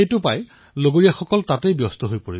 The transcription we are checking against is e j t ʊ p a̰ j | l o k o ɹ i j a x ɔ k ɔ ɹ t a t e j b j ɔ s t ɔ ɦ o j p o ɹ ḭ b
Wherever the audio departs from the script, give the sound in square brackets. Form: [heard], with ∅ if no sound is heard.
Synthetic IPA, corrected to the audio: e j t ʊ p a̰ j | l o [ɡ] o ɹ i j a x ɔ k ɔ [l] t a t e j b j ɔ s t ɔ ɦ o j p o ɹ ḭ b